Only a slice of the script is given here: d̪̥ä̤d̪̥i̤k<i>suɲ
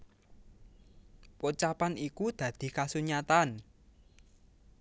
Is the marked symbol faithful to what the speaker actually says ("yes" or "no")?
no